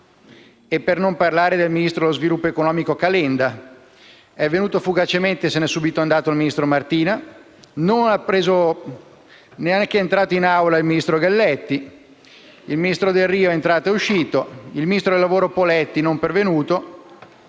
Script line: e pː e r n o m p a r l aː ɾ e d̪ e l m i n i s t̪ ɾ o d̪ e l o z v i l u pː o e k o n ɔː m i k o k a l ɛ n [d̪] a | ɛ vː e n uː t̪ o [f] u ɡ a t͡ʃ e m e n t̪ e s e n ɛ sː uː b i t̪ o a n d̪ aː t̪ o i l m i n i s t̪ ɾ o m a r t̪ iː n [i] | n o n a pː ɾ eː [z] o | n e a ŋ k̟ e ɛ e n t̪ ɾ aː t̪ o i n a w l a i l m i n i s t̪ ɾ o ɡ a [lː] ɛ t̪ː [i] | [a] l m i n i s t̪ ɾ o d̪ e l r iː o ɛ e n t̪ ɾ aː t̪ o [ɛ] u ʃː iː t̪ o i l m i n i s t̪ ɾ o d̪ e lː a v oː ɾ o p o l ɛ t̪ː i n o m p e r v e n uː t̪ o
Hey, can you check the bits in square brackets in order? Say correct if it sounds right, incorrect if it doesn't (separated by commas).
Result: correct, correct, incorrect, correct, correct, correct, incorrect, incorrect